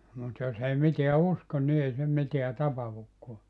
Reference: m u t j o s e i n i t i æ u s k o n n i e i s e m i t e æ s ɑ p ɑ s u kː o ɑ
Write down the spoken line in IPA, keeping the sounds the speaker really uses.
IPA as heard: m u t j o s e i m i t e æ u s k o n n i e i s e m i t e æ t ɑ p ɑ h u kː o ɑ